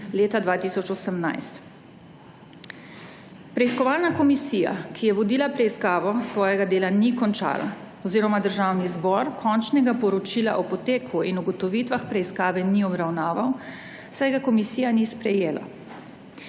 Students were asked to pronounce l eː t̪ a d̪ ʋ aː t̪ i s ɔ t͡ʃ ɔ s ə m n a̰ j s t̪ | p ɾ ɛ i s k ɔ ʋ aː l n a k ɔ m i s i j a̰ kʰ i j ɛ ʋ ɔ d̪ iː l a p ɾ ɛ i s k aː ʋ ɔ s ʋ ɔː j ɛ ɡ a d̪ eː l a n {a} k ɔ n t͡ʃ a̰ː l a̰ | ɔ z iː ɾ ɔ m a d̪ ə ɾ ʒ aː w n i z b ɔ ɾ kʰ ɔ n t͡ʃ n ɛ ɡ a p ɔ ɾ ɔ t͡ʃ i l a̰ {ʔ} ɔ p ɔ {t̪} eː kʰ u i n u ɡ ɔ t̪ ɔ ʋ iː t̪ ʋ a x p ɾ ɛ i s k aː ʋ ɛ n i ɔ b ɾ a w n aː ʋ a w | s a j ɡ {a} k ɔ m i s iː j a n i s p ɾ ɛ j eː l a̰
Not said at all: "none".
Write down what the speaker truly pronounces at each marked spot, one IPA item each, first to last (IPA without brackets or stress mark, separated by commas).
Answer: i, ʔ, t̪, a